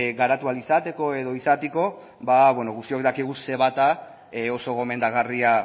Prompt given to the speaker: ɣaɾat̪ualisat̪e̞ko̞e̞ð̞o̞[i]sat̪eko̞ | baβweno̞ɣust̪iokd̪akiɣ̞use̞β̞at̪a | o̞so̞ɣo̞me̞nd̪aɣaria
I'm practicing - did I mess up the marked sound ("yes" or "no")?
no